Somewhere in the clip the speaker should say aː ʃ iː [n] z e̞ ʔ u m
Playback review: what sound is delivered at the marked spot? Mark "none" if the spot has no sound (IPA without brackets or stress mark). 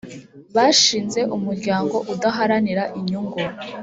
n